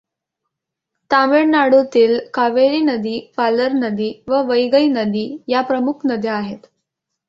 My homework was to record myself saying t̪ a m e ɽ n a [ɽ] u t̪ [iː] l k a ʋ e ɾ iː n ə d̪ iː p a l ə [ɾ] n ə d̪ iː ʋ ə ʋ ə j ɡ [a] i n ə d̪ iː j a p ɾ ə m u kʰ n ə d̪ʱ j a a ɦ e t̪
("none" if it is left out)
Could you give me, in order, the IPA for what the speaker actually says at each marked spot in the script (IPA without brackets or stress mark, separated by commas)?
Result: ɽ, iː, ɾ, ə